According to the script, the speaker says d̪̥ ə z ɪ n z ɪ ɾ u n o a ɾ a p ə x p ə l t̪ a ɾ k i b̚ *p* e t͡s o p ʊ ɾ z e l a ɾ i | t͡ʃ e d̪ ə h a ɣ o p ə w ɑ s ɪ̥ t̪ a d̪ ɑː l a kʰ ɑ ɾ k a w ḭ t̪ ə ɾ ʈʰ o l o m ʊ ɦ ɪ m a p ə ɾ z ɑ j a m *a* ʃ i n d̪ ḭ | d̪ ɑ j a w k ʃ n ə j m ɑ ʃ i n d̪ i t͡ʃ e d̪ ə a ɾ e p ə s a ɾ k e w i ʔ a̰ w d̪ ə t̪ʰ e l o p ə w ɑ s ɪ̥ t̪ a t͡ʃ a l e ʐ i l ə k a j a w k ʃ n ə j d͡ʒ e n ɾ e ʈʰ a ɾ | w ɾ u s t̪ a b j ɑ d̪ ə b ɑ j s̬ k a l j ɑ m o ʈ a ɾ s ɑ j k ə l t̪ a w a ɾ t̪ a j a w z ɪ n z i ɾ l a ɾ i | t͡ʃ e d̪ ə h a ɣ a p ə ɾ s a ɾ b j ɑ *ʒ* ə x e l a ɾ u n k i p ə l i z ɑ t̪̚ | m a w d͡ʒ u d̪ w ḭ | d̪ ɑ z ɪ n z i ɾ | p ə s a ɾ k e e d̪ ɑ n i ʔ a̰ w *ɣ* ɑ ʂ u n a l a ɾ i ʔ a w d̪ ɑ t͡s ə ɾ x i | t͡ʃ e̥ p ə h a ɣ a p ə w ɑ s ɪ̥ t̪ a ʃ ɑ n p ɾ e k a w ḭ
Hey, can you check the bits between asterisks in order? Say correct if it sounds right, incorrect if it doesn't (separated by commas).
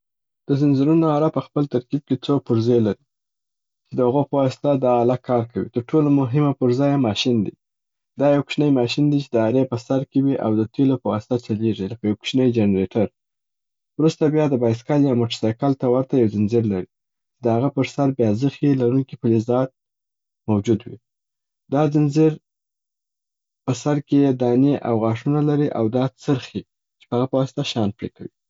incorrect, incorrect, incorrect, correct